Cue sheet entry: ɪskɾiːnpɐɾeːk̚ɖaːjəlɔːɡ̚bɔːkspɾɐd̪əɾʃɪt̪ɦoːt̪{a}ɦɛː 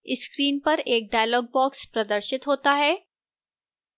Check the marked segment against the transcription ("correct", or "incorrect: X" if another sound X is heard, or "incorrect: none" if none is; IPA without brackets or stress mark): correct